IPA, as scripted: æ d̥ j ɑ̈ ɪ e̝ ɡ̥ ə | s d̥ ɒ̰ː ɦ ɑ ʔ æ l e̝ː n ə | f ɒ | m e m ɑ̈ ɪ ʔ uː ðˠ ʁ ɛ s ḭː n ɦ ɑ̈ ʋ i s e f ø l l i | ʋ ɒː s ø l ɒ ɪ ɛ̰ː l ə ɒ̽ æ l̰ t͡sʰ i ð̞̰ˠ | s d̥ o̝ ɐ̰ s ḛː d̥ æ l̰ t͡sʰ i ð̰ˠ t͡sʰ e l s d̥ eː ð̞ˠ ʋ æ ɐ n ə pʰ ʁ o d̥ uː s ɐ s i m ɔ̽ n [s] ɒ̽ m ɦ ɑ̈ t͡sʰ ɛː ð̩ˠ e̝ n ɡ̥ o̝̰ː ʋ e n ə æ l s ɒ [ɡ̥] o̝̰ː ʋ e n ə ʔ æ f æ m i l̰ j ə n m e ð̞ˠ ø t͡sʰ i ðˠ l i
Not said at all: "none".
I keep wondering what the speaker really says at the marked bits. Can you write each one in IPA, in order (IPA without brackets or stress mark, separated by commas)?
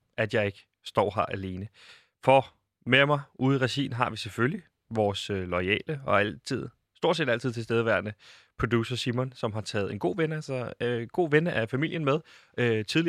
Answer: s, ɡ̥